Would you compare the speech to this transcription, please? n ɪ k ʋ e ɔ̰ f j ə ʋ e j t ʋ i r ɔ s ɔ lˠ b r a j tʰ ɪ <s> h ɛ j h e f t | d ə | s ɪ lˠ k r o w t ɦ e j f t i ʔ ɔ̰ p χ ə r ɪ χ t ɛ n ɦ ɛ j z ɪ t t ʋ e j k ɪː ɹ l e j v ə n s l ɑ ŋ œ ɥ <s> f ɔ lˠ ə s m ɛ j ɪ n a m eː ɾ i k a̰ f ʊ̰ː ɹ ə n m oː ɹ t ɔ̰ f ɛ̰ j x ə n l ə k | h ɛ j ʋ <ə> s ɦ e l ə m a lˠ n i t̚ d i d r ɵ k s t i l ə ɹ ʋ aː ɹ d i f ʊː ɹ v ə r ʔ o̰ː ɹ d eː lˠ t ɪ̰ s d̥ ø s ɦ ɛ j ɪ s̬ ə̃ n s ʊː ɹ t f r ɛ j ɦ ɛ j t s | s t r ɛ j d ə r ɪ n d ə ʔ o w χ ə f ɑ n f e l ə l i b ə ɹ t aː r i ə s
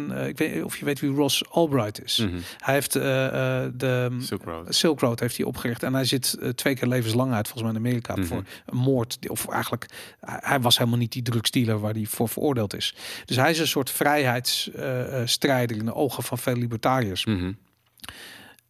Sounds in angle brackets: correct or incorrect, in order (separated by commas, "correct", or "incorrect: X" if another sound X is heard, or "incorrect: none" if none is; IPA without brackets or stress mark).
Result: correct, incorrect: t, incorrect: ɑ